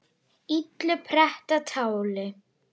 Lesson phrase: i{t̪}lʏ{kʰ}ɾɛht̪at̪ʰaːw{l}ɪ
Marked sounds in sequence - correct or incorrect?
correct, incorrect: pʰ, correct

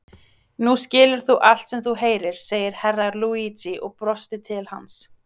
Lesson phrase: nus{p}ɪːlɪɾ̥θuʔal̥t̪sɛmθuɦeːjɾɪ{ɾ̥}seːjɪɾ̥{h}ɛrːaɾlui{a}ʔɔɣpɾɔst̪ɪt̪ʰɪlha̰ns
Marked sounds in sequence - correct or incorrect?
incorrect: c, correct, correct, incorrect: i

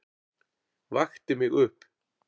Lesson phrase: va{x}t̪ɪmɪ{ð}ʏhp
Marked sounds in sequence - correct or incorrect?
correct, incorrect: ɣ

